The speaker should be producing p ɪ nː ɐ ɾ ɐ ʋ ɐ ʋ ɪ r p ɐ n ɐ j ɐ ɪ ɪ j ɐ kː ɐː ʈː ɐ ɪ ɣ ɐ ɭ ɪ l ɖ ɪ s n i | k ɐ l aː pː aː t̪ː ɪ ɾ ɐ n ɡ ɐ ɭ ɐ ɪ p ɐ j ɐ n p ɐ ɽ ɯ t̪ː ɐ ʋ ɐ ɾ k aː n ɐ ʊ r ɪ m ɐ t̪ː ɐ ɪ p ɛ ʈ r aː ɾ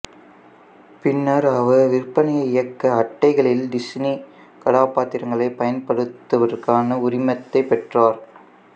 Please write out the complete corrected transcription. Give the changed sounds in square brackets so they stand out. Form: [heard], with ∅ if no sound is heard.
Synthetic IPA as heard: p ɪ nː ɐ ɾ ɐ ʋ ɐ ʋ ɪ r p ɐ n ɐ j ɐ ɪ ɪ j ɐ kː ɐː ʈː ɐ ɪ ɣ ɐ ɭ ɪ l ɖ ɪ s n i | k ɐ [ɽ] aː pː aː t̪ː ɪ ɾ ɐ [ŋ] ɡ ɐ ɭ ɐ ɪ p ɐ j ɐ n p ɐ ɽ ɯ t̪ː ɐ ʋ ɐ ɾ k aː n ɐ ʊ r ɪ m ɐ t̪ː ɐ ɪ p ɛ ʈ r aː ɾ